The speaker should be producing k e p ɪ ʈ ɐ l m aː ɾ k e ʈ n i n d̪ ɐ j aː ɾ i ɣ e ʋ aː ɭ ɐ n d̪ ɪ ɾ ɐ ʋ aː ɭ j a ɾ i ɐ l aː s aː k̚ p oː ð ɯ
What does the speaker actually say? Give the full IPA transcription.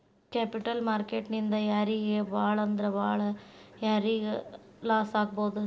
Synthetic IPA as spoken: k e p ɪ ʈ ɐ l m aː ɾ k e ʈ n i n d̪ ɐ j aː ɾ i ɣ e ʋ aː ɭ ɐ n d̪ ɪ ɾ ɐ ʋ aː ɭ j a ɾ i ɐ l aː s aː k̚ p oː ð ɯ